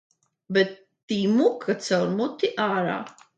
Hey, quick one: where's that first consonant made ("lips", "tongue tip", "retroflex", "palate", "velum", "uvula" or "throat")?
lips